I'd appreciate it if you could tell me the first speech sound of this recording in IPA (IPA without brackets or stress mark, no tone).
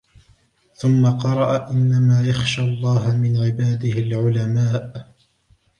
θ